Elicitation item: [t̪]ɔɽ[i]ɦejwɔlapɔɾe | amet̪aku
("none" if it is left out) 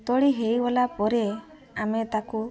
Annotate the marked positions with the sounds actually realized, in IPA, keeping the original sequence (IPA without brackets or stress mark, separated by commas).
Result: t̪, i